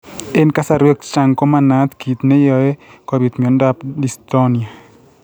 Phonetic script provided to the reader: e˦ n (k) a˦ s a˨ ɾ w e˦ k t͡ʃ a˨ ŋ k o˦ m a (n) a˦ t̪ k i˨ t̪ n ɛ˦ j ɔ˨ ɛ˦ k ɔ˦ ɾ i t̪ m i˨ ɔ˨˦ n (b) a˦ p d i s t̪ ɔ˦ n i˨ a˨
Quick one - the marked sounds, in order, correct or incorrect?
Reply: correct, correct, incorrect

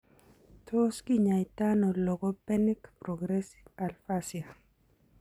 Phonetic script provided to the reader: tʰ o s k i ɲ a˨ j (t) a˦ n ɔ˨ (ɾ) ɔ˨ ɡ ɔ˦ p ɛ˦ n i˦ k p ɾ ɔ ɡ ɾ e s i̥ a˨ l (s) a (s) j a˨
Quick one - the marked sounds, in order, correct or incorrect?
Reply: correct, incorrect, incorrect, correct

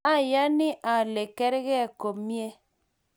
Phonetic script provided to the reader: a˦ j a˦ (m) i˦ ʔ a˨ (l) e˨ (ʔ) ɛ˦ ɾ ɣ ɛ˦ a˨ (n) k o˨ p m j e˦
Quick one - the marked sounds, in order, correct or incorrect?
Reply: incorrect, correct, incorrect, incorrect

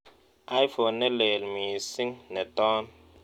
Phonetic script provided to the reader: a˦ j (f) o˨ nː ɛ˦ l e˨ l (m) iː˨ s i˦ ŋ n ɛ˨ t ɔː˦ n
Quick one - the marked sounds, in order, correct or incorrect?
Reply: correct, correct

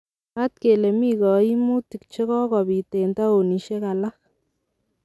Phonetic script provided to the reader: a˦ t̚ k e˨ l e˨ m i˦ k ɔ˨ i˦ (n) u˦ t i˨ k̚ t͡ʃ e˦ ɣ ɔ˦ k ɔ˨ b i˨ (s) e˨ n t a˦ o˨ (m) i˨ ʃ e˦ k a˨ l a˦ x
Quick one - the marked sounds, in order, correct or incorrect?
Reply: incorrect, incorrect, incorrect

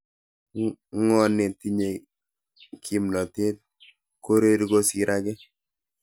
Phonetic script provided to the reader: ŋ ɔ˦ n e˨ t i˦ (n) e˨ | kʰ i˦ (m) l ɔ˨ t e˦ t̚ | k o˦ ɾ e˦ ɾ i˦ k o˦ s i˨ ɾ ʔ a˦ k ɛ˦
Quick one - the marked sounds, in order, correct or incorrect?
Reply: incorrect, correct

